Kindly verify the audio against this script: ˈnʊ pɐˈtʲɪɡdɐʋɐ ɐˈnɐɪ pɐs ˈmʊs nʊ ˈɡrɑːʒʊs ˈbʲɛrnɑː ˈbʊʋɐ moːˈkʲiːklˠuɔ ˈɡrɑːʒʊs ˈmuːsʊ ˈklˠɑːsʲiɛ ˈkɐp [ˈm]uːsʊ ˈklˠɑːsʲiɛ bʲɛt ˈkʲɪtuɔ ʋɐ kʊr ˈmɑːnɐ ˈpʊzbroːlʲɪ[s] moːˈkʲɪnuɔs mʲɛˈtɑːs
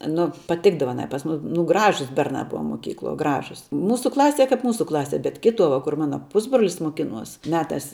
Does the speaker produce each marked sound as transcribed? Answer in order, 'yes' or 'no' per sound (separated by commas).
yes, yes